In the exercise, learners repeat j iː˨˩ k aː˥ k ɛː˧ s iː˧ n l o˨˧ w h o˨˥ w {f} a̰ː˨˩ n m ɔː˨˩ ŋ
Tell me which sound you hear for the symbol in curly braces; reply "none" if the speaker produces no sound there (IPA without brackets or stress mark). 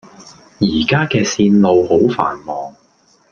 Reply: f